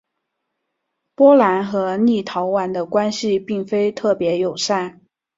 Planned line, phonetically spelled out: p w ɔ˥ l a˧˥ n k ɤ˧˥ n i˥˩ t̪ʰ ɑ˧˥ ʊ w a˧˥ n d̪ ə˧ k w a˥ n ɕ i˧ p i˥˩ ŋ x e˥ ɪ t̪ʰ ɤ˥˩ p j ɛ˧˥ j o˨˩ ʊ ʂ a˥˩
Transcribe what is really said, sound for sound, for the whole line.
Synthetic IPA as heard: p w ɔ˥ l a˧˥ n x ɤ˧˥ n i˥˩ t̪ʰ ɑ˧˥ ʊ w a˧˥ n d̪ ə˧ k w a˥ n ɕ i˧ p i˥˩ ŋ f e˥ ɪ t̪ʰ ɤ˥˩ p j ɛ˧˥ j o˨˩ ʊ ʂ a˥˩